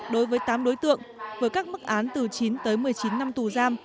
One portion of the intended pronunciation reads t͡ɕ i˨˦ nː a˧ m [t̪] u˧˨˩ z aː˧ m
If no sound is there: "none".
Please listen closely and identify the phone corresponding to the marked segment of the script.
t̪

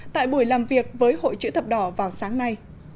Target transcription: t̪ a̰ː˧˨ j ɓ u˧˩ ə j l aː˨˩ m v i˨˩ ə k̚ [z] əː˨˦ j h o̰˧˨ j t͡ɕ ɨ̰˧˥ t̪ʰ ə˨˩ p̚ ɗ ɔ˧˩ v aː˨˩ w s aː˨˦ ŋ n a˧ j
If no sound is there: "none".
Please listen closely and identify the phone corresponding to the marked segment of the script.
v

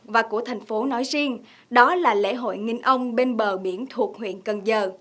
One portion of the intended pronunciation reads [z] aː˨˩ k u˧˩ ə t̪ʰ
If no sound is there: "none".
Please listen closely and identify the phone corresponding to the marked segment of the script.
v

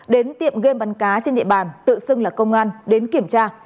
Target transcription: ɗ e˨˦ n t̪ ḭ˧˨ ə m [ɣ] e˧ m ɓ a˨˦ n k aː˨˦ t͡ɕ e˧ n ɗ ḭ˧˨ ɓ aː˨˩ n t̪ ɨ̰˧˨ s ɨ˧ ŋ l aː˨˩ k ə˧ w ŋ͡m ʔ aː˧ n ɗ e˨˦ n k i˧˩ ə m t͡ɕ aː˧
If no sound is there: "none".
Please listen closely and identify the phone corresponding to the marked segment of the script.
ɣ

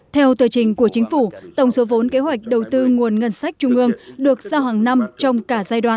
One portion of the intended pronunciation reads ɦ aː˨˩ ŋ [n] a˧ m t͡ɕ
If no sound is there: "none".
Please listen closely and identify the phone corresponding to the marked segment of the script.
n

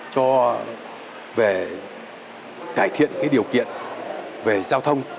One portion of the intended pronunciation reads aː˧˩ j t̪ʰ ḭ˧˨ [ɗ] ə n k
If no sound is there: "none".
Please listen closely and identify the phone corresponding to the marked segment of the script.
none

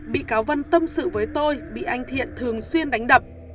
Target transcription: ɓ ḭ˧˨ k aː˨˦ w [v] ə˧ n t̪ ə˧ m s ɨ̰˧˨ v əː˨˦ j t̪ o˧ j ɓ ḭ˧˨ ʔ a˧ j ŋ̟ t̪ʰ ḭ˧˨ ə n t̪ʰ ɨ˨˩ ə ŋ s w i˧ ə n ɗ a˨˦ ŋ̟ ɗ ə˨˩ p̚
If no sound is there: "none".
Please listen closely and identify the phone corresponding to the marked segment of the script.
v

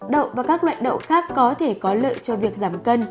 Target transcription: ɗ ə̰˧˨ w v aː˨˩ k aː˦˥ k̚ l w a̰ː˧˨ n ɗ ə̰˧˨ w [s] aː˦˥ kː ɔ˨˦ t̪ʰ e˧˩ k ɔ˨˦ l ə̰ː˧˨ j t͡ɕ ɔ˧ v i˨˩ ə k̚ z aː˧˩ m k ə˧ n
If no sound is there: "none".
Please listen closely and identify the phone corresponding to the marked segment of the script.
x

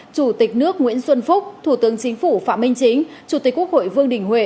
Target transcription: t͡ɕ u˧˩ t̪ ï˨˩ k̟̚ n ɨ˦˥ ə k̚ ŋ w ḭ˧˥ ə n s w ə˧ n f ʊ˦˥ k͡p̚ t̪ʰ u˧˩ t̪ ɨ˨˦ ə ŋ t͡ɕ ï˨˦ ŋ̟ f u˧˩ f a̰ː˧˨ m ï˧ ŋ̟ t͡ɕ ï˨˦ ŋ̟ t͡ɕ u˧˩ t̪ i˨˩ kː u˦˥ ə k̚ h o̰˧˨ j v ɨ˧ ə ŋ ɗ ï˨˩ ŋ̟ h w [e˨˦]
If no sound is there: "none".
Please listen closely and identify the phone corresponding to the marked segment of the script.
e˧˩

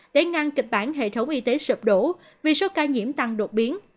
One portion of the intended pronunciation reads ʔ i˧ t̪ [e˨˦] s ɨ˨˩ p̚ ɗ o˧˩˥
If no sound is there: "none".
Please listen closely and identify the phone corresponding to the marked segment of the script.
e˨˦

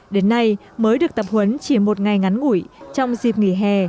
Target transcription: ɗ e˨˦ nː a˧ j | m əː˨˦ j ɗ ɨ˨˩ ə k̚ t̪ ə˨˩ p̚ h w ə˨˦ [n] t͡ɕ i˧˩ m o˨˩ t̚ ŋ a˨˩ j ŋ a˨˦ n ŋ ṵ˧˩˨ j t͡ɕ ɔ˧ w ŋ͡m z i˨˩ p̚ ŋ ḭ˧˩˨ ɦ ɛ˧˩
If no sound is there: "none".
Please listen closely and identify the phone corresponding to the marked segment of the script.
n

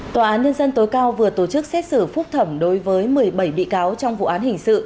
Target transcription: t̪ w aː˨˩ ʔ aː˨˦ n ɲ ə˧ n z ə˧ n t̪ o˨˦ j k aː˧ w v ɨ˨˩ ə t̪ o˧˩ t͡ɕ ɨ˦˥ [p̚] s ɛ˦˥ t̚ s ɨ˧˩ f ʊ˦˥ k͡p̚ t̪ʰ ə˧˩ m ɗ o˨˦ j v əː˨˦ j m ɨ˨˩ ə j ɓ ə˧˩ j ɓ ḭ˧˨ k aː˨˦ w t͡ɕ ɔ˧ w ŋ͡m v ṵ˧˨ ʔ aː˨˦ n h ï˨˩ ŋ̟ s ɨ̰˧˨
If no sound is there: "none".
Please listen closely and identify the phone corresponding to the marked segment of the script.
k̚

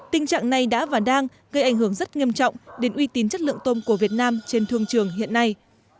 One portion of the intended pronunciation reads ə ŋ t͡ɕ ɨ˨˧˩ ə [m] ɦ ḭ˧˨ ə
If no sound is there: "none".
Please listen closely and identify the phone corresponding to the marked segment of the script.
ŋ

